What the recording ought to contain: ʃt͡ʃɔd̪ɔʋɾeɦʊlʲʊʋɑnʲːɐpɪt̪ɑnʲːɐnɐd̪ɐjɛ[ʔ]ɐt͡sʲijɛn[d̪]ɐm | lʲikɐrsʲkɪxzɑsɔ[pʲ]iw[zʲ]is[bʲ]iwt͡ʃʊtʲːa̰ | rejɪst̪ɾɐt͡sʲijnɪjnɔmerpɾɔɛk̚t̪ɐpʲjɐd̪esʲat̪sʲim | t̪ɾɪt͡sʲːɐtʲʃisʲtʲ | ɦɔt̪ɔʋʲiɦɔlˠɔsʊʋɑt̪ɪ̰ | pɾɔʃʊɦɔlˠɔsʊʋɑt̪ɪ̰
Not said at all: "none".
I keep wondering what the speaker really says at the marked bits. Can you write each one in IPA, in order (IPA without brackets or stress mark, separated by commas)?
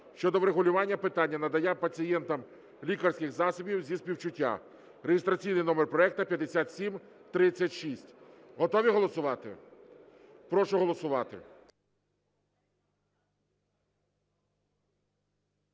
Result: p, t̪, bʲ, zʲ, pʲ